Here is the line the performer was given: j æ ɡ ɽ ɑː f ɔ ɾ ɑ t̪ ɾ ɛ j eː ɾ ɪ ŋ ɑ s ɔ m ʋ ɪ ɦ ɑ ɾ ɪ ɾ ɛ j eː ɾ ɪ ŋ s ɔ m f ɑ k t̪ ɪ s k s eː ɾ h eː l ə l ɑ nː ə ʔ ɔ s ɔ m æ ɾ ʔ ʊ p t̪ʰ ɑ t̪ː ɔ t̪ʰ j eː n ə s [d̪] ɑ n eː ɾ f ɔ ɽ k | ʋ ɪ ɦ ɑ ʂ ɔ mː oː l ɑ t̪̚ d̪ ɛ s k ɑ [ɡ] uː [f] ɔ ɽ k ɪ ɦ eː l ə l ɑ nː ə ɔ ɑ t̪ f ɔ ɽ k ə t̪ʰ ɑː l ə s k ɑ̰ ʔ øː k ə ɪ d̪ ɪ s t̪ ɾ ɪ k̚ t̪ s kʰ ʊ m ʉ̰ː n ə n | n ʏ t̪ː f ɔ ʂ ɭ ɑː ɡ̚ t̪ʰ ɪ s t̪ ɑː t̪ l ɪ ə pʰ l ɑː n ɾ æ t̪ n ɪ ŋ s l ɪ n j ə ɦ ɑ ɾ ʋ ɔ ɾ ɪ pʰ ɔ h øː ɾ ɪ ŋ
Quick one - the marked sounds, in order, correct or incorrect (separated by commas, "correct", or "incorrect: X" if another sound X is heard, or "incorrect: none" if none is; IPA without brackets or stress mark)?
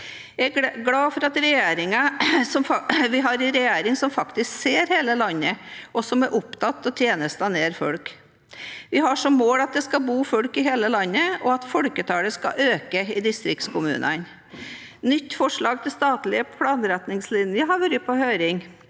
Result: incorrect: t̪, incorrect: b, correct